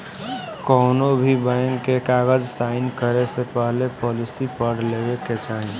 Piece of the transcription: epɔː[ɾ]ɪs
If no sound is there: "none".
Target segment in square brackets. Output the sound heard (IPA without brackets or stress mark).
l